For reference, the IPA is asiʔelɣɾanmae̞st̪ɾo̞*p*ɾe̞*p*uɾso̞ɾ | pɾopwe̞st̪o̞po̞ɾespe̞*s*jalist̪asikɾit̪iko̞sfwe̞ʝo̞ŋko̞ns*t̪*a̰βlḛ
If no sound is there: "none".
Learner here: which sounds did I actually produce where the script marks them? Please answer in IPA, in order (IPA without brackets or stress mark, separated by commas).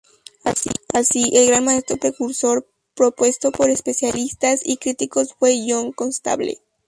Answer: p, k, s, t̪